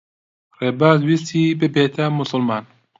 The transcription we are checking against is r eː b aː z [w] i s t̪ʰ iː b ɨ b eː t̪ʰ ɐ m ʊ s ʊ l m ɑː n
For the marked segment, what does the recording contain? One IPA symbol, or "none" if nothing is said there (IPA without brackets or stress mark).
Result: w